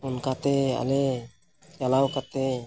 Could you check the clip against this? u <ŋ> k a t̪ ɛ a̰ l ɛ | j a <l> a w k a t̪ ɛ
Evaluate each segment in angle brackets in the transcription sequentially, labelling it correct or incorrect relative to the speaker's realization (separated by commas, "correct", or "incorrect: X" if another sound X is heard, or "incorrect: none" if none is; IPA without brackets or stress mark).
incorrect: n, correct